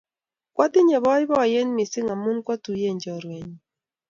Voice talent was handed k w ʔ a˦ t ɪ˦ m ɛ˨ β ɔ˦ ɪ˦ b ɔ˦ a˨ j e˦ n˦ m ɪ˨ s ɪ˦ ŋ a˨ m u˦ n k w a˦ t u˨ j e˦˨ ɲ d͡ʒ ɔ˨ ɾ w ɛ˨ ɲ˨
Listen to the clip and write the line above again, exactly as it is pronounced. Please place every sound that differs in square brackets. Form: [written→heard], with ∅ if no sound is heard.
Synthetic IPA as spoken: k w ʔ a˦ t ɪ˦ [m→ɲ] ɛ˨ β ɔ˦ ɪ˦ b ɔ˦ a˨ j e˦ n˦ m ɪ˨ s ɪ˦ ŋ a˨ m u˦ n k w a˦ t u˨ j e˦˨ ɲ d͡ʒ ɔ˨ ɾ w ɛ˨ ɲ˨